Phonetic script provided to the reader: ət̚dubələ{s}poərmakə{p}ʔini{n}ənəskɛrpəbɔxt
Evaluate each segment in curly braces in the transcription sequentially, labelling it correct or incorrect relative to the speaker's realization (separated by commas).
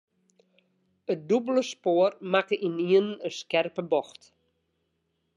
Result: correct, incorrect, incorrect